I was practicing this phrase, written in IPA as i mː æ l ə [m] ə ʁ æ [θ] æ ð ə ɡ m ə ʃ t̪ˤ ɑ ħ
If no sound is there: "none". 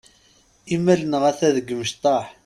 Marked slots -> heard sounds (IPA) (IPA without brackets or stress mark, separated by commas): n, θ